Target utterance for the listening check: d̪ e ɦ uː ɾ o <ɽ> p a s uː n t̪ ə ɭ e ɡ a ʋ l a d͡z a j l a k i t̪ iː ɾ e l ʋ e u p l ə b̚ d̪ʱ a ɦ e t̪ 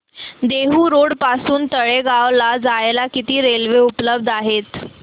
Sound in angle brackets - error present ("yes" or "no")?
no